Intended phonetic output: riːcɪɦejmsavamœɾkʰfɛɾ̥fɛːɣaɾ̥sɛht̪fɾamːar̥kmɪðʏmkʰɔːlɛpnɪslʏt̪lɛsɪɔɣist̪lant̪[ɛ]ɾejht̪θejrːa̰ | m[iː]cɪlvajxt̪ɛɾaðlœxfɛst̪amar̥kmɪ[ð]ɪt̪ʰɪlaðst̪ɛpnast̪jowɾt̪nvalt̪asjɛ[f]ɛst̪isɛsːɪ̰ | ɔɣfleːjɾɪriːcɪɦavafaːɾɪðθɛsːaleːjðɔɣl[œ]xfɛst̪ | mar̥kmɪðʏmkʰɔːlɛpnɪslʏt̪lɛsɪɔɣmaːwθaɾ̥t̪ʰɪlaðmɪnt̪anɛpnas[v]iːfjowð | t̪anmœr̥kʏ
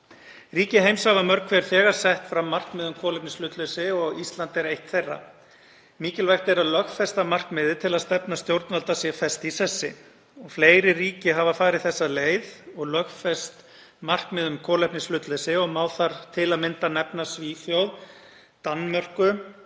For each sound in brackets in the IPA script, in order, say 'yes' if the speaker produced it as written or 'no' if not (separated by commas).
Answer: yes, yes, yes, yes, yes, yes